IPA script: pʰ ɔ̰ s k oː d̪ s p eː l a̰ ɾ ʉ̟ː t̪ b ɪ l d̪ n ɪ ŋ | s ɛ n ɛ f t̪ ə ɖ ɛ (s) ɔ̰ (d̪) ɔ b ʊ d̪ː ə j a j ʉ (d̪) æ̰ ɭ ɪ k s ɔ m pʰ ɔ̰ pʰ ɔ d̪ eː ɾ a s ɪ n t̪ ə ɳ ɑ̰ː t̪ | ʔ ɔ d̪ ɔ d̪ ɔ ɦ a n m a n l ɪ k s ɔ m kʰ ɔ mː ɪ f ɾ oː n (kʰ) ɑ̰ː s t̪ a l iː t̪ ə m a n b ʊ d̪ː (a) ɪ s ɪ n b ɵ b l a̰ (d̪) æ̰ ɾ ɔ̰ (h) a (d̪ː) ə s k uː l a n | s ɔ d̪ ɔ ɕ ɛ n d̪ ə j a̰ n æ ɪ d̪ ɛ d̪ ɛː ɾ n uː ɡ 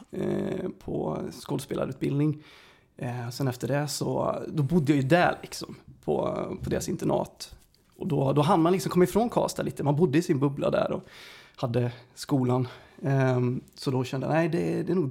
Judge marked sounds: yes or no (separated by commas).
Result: yes, yes, yes, yes, no, yes, yes, yes